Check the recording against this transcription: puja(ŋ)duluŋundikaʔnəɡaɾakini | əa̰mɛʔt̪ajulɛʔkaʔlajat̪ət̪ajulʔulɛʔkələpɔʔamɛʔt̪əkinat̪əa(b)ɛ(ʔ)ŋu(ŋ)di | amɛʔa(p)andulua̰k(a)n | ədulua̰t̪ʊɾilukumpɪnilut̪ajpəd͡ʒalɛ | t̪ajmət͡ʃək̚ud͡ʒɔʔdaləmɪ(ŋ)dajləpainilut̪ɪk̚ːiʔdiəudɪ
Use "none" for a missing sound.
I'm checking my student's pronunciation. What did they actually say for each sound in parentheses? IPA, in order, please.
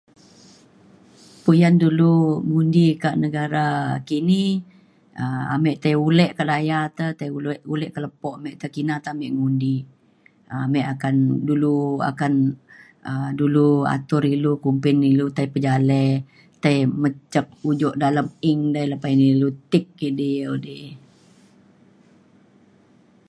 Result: n, m, ʔ, n, k, a, ŋ

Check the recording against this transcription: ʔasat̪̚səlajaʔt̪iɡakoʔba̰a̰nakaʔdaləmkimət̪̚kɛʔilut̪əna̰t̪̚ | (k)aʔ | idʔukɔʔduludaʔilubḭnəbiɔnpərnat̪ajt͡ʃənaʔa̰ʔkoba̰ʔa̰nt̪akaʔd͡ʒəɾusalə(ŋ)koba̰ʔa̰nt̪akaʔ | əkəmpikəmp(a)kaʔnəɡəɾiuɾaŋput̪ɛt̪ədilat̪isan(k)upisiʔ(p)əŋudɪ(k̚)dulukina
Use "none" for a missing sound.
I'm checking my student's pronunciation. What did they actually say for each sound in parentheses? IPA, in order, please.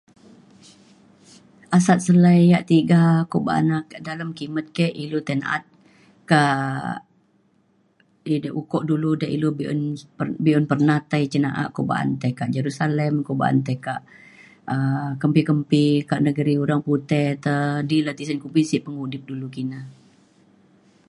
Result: k, m, i, k, p, p̚

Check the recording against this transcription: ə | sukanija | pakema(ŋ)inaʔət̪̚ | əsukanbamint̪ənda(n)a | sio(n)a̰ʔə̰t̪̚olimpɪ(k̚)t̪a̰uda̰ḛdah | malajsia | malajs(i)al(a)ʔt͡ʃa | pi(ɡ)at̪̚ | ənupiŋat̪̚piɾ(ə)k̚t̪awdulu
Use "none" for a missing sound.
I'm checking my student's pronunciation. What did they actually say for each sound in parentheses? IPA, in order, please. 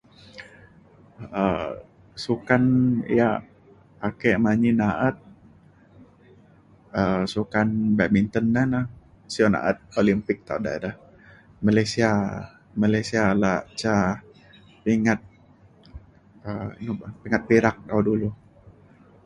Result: ɲ, n, n, k̚, i, a, ŋ, a

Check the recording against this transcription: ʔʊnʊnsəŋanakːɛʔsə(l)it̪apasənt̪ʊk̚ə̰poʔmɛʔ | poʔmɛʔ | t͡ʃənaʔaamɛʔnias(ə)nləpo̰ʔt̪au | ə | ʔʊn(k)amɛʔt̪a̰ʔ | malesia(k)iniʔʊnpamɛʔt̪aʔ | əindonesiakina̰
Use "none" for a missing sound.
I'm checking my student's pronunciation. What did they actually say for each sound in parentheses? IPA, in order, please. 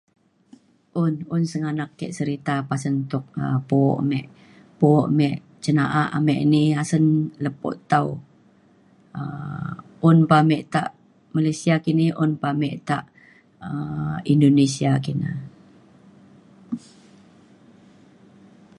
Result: ɾ, ə, p, k

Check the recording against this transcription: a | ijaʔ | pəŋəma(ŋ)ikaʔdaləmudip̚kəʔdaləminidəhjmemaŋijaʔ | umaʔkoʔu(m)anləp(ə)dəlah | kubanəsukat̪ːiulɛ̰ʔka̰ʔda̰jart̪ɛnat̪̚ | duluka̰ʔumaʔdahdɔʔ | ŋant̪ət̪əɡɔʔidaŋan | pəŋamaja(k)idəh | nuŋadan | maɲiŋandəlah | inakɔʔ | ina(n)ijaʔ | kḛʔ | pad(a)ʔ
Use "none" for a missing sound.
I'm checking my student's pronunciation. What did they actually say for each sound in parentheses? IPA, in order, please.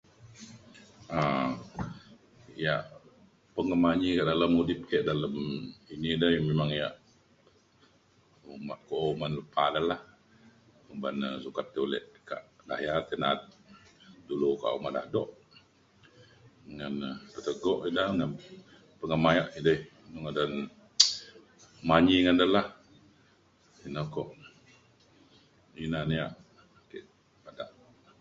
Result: ɲ, m, a, ʔ, n, a

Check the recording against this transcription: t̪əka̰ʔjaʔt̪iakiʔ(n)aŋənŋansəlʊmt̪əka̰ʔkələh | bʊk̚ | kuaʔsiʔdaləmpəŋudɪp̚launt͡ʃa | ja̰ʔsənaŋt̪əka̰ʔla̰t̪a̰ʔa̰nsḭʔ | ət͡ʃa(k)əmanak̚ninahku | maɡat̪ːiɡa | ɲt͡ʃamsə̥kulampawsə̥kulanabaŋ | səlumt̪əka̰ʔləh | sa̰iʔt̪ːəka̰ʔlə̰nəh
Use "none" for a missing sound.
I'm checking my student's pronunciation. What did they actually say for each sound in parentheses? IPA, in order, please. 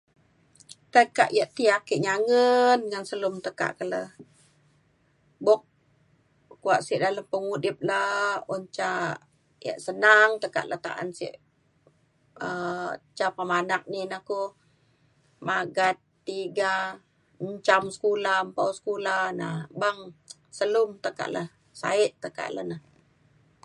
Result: ɲ, p

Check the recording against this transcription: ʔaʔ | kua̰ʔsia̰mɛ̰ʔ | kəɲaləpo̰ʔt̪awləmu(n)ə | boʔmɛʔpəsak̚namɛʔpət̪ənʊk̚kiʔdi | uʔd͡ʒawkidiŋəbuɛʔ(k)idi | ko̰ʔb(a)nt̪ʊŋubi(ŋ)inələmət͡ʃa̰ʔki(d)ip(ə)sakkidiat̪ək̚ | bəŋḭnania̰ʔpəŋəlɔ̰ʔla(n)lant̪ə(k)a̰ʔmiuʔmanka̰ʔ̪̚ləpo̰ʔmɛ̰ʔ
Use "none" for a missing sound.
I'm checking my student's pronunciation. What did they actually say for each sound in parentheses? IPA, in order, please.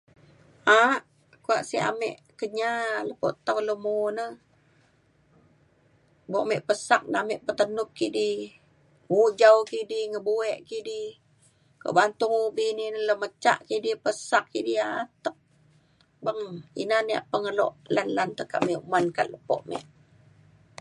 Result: n, k, a, n, d, ə, n, k

